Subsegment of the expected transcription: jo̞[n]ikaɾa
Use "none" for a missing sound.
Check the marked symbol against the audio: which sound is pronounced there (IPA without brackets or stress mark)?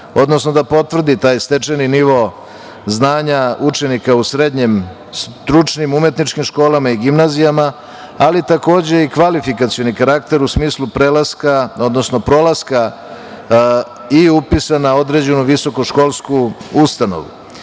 n